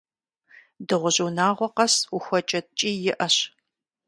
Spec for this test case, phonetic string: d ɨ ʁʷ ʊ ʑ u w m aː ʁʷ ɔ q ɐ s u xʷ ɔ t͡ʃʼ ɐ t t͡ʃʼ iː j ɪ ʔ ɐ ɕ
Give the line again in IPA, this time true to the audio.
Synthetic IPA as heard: d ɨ ʁʷ ʊ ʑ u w n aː ʁʷ ɔ q ɐ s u xʷ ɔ t͡ʃʼ ɐ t t͡ʃʼ iː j ɪ ʔ ɐ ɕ